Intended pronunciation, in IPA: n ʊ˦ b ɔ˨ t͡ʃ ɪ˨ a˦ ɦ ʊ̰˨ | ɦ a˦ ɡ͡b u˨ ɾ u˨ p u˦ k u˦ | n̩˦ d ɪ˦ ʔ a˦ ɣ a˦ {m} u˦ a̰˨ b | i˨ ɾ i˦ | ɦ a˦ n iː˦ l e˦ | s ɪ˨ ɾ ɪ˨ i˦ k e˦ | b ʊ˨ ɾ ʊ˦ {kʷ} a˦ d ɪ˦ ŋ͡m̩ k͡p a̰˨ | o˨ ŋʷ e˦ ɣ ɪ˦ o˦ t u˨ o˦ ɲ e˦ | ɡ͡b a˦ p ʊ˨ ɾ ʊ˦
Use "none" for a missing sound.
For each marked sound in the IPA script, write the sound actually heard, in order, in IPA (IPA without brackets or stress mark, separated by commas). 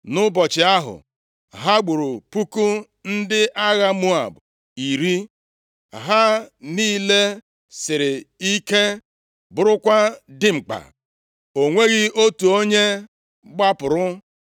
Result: m, kʷ